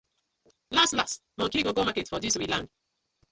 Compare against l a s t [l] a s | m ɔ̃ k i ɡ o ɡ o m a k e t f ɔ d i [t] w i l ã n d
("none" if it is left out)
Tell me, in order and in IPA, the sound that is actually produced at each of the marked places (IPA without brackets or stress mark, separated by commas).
l, s